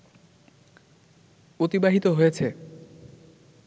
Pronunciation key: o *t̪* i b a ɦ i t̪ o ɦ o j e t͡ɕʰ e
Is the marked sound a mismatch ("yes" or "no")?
no